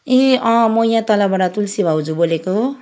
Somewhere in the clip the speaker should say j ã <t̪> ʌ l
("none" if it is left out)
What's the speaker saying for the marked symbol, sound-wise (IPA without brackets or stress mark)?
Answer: t̪